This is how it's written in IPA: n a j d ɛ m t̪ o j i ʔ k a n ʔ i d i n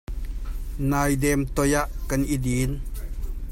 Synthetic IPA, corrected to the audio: n a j d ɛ m t̪ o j a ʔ k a n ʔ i d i n